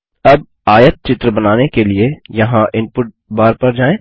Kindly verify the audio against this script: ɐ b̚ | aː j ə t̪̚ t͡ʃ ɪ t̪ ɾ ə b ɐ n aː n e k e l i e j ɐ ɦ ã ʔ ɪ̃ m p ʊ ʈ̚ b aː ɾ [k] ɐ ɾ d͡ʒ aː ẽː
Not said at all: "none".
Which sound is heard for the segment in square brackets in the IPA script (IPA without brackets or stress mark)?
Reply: p